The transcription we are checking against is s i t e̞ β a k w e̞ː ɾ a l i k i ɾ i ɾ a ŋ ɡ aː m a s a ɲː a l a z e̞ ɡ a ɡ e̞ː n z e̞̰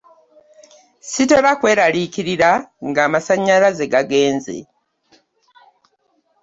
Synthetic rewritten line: s i t e̞ β a k w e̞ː ɾ a l i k i ɾ i ɾ a ŋ ɡ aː m a s a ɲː a l a z e̞ ɡ a ɡ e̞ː n z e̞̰